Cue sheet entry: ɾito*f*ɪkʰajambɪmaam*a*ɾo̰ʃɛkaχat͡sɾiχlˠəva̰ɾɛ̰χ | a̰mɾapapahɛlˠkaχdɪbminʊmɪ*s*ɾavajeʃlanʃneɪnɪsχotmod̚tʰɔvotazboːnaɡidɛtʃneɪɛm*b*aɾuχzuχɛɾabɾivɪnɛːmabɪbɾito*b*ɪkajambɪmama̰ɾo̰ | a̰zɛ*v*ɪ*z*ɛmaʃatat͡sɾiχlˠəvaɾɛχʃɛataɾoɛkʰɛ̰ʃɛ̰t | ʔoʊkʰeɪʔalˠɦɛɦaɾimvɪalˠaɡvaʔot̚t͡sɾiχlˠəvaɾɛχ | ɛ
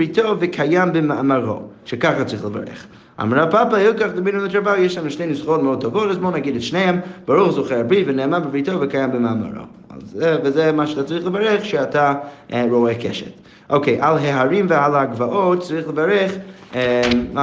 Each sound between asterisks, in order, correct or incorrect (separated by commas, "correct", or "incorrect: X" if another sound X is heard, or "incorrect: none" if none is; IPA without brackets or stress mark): incorrect: v, correct, incorrect: t, correct, incorrect: v, correct, correct